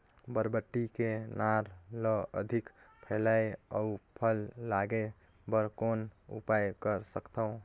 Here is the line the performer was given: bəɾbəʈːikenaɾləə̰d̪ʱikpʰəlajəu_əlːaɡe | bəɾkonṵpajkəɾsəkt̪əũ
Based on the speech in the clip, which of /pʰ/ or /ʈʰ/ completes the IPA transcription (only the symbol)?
pʰ